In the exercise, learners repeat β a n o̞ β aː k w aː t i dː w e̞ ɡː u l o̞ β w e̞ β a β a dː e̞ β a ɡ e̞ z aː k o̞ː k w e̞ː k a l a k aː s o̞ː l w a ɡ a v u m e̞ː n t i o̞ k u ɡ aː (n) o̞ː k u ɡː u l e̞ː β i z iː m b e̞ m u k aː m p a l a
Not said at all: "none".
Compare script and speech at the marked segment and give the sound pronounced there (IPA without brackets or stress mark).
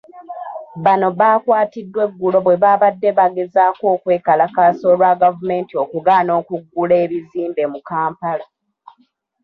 n